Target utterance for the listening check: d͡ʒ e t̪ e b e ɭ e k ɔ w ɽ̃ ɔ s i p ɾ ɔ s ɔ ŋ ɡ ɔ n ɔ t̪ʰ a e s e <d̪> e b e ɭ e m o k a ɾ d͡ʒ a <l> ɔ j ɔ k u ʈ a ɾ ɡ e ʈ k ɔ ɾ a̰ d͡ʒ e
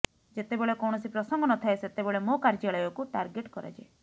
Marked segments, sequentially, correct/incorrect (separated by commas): incorrect, incorrect